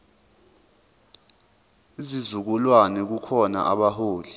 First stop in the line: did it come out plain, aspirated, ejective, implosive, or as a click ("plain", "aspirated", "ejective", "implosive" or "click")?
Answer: plain